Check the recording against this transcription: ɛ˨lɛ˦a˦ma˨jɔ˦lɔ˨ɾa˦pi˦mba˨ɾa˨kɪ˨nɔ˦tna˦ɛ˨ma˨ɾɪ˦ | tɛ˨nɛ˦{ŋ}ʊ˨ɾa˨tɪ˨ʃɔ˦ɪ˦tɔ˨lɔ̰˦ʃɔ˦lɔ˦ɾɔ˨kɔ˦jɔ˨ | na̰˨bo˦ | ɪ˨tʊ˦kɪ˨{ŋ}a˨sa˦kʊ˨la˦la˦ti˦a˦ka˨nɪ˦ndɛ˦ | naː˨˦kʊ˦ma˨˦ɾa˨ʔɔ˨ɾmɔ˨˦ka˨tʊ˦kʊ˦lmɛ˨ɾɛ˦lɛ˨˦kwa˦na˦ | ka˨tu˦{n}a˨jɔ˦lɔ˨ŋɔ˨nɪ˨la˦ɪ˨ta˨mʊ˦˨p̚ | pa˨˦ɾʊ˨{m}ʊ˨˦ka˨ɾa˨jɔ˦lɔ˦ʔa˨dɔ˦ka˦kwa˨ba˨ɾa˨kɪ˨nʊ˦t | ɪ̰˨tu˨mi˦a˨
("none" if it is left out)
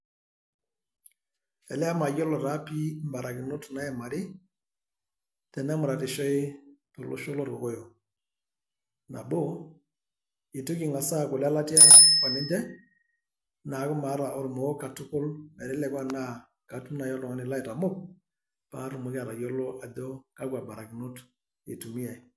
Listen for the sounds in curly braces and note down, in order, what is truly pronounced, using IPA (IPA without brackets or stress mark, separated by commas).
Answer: m, ŋ, n, m